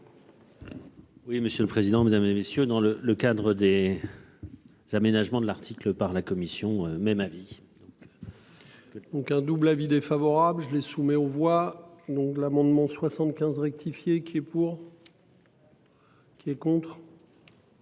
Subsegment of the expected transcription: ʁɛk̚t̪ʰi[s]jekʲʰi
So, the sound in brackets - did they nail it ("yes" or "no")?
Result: no